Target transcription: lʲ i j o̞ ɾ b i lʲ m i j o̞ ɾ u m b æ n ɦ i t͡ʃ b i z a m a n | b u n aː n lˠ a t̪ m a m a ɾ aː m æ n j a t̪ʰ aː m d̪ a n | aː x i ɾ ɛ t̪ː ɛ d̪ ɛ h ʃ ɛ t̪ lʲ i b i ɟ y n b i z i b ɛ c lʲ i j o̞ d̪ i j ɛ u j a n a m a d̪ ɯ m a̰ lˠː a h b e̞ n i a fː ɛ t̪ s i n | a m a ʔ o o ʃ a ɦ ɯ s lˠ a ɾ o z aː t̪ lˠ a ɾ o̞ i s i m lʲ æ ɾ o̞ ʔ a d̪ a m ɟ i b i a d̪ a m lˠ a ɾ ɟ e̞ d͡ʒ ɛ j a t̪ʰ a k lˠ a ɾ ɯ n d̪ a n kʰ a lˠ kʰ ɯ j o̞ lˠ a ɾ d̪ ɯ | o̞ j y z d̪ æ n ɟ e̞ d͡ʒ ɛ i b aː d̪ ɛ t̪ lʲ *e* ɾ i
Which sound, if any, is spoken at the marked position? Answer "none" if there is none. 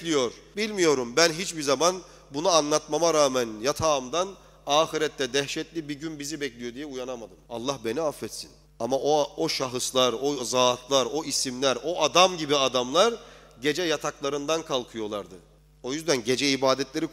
e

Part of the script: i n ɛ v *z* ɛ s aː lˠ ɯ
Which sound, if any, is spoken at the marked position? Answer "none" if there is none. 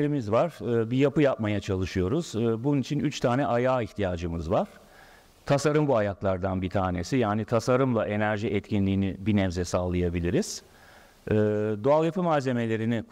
z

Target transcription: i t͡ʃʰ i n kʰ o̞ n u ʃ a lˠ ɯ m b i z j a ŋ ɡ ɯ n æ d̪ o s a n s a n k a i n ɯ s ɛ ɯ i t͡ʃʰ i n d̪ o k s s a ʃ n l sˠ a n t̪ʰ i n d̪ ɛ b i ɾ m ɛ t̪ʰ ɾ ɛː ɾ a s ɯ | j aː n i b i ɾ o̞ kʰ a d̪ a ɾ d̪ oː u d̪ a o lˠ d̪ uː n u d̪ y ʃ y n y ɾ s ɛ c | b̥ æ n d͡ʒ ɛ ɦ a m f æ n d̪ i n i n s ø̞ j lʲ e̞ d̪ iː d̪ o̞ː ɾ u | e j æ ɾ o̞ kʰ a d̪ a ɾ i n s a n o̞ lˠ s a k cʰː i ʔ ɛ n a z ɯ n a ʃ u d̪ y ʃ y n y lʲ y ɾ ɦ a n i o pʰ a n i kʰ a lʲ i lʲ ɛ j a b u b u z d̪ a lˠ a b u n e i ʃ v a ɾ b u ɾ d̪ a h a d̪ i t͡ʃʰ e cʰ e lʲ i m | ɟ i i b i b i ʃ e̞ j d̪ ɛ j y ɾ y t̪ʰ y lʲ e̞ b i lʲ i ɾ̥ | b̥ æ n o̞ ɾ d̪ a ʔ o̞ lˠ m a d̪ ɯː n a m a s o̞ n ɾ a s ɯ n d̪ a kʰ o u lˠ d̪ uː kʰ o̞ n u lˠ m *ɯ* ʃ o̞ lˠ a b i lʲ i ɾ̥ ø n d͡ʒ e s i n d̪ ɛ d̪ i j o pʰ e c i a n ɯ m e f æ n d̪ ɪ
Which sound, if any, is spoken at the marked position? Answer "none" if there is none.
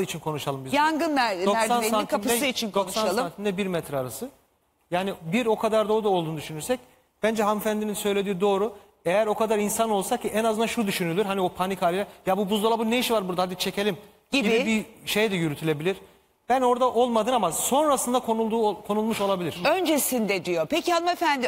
u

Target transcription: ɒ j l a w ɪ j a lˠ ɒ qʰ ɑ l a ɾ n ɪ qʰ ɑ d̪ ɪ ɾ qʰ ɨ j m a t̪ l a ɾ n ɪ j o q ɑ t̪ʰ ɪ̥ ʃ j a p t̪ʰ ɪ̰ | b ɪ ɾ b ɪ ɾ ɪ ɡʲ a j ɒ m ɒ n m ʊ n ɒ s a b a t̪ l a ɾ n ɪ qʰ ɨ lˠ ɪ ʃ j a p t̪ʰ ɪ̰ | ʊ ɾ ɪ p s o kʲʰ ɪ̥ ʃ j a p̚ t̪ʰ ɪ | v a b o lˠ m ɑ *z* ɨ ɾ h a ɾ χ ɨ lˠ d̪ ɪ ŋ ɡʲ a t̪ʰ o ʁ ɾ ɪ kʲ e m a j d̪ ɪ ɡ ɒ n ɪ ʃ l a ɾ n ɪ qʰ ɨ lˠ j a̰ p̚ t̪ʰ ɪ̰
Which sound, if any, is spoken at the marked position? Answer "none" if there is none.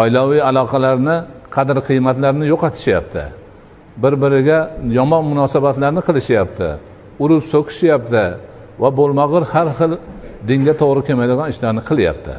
ʁ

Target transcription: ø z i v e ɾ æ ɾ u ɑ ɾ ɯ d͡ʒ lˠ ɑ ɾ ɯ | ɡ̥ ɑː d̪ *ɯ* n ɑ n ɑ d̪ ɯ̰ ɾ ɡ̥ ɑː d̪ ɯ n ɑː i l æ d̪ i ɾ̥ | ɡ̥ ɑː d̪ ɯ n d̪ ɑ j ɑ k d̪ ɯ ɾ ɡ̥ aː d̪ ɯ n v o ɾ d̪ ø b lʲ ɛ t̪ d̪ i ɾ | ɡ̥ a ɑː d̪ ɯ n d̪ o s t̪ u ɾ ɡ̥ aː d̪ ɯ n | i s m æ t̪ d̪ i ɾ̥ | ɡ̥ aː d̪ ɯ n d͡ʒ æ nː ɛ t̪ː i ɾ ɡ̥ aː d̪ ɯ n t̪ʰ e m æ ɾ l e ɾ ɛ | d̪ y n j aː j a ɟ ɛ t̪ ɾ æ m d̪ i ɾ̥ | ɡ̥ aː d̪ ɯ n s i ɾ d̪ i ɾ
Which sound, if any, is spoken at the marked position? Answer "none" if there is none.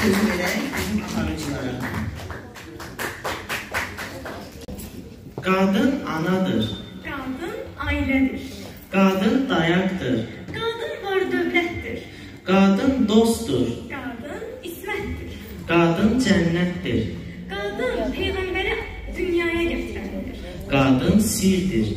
ɯ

